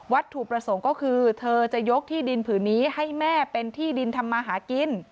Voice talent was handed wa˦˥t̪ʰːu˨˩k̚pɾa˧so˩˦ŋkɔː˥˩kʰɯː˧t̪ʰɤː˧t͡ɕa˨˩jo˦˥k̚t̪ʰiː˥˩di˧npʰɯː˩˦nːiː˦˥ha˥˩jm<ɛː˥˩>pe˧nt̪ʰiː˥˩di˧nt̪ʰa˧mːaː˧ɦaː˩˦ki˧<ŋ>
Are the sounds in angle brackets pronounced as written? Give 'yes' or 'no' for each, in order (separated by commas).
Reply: yes, no